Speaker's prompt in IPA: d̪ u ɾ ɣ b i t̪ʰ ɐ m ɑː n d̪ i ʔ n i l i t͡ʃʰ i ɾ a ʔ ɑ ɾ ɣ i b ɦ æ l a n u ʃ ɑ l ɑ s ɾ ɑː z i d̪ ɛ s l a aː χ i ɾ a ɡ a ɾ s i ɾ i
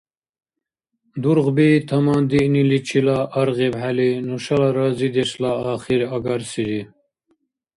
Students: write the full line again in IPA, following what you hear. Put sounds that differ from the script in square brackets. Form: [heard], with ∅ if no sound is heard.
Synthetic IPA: d̪ u ɾ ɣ b i t̪ʰ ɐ m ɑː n d̪ i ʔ n i l i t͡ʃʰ i [l] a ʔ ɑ ɾ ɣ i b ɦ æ l [i] n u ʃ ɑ l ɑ [∅] ɾ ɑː z i d̪ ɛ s l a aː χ i ɾ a ɡ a ɾ s i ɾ i

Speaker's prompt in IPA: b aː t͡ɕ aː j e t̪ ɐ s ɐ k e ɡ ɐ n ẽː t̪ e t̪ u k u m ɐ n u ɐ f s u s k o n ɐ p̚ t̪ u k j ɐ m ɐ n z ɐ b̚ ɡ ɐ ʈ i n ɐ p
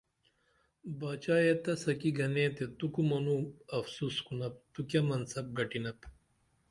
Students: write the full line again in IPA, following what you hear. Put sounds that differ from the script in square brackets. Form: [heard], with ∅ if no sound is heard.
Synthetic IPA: b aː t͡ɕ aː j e t̪ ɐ s ɐ k [i] ɡ ɐ n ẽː t̪ e t̪ u k u m ɐ n u ɐ f s u s k [u] n ɐ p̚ t̪ u k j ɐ m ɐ n [s] ɐ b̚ ɡ ɐ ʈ i n ɐ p

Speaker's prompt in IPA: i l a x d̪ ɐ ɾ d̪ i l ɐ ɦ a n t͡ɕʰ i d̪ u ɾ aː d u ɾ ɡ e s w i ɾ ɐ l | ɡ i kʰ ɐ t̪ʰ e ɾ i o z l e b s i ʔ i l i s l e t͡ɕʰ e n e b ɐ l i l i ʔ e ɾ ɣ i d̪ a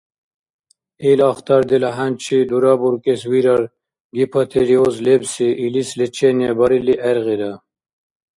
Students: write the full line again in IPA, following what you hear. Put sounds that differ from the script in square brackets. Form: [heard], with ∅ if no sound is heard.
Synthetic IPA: i l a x [t̪] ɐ ɾ d̪ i l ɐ ɦ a n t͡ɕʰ i d̪ u ɾ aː [b] u ɾ [k] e s w i ɾ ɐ [ɾ] | ɡ i [pʰ] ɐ t̪ʰ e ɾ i o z l e b s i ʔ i l i s l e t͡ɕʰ e n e b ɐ [ɾ] i l i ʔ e ɾ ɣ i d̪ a

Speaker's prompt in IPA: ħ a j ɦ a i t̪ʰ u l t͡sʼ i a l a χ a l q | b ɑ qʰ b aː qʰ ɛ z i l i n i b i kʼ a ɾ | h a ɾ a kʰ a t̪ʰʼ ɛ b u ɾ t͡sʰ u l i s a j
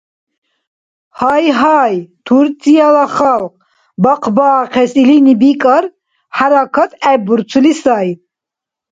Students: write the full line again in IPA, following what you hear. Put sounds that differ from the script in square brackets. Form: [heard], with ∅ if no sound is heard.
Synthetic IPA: [h] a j ɦ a [j] t̪ʰ u [ɾ] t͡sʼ i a l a χ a l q | b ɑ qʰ b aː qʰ ɛ [s] i l i n i b i kʼ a ɾ | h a ɾ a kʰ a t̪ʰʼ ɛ b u ɾ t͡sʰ u l i s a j

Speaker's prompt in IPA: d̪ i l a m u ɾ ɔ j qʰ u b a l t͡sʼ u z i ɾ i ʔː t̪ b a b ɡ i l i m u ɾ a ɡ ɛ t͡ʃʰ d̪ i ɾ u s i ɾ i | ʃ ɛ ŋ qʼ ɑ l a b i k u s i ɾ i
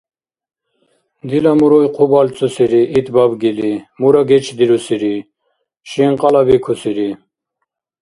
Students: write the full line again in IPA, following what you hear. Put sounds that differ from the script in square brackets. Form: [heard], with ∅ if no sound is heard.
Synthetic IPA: d̪ i l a m u ɾ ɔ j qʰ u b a l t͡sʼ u [s] i ɾ i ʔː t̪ b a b ɡ i l i m u ɾ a ɡ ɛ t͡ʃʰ d̪ i ɾ u s i ɾ i | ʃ [i] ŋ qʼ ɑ l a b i [kʰ] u s i ɾ i

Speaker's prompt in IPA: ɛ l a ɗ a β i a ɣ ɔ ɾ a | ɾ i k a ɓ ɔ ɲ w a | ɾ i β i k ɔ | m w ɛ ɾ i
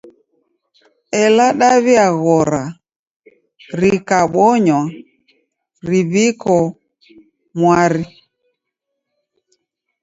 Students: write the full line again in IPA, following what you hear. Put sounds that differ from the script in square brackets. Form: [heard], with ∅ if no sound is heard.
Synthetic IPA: ɛ l a ɗ a β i a ɣ ɔ ɾ a | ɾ i k a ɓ ɔ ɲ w a | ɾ i β i k ɔ | m w [a] ɾ i

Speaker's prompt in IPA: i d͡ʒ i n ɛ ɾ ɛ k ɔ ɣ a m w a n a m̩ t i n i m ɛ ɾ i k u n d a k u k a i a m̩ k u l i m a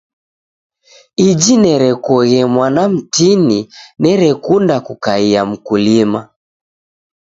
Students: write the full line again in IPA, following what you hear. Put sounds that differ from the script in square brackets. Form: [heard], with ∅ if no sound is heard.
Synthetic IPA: i d͡ʒ i n ɛ ɾ ɛ k ɔ ɣ [ɛ] m w a n a m̩ t i n i [n] ɛ ɾ [ɛ] k u n d a k u k a i a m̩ k u l i m a

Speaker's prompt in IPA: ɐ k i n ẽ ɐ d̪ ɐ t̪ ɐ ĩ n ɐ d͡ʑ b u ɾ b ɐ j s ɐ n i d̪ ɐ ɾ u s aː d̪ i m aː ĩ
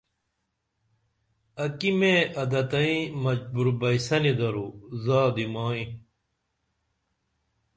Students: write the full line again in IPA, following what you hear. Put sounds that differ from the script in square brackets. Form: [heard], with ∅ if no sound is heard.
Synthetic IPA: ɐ k i [m] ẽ ɐ d̪ ɐ t̪ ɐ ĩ [m] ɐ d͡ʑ b u ɾ b ɐ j s ɐ n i d̪ ɐ ɾ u [z] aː d̪ i m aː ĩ

